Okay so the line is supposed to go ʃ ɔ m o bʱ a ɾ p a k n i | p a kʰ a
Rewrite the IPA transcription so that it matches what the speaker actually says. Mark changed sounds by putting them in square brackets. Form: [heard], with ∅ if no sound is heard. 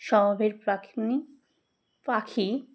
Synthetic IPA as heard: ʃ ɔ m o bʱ [e] ɾ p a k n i | p a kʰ [i]